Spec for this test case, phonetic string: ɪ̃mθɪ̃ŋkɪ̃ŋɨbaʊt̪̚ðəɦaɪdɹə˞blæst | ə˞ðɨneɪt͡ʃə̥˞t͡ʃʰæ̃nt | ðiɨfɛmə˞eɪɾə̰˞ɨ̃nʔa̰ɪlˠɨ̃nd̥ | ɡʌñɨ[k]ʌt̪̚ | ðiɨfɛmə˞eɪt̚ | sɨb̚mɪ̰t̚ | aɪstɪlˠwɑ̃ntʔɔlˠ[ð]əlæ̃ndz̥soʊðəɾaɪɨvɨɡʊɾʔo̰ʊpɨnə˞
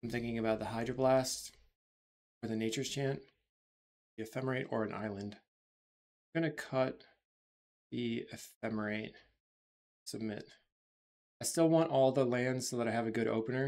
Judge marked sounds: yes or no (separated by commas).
no, yes